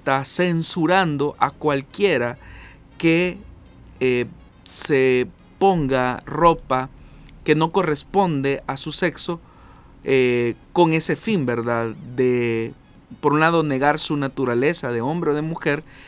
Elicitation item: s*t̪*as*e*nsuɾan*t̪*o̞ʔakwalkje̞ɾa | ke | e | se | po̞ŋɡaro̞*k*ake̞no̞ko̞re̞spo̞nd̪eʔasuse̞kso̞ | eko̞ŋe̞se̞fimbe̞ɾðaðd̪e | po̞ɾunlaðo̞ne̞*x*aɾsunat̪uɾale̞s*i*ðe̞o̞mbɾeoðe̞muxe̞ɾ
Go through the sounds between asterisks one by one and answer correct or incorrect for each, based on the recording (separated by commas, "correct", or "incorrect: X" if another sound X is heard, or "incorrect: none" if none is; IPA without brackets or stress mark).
correct, correct, incorrect: d̪, incorrect: p, incorrect: ɣ, incorrect: a